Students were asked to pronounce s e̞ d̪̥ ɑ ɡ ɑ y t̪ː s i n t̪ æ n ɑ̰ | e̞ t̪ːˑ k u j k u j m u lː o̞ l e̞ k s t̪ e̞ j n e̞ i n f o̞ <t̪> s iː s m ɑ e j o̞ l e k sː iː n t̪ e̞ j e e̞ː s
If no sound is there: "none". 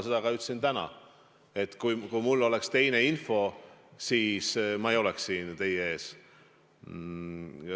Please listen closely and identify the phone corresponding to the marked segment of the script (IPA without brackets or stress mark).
none